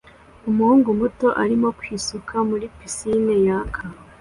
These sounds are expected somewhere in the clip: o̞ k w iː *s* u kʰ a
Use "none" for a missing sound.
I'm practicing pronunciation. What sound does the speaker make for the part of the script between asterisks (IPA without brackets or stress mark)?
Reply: s